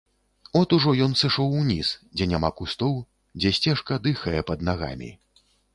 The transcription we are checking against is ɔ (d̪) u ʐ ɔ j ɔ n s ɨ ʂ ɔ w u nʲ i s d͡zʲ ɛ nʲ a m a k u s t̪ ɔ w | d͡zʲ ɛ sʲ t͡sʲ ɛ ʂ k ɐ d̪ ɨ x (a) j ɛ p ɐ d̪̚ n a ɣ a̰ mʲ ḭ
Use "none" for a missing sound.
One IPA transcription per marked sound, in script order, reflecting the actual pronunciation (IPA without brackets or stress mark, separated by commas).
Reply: t̪, ɐ